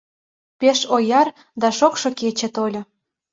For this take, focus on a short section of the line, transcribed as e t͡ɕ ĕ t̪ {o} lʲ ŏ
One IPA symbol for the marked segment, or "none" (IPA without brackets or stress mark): o